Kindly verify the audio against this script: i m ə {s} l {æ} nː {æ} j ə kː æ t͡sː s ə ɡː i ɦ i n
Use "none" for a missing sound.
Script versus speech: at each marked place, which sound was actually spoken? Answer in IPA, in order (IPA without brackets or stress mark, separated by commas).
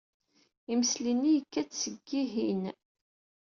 s, i, i